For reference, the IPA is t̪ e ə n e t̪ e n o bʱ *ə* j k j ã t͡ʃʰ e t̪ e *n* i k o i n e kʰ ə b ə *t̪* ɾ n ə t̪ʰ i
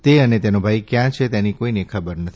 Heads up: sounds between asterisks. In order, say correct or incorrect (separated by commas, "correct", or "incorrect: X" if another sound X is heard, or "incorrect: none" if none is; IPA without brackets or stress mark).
incorrect: a, correct, incorrect: none